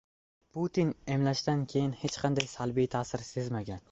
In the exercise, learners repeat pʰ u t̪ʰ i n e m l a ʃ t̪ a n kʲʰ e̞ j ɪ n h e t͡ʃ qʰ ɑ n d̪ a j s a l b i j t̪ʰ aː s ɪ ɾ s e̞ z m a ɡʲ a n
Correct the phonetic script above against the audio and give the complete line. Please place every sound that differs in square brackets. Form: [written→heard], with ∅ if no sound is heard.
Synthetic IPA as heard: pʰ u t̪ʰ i n e m l a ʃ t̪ a n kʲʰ e̞ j ɪ n h e t͡ʃ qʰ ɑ n d̪ a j s a l b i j t̪ʰ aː s ɪ ɾ s e̞ z m a ɡʲ a n